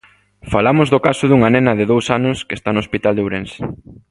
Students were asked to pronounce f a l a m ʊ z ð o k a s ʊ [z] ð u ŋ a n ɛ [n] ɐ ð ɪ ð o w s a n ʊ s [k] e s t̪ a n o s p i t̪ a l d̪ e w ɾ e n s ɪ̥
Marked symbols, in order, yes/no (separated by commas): no, yes, yes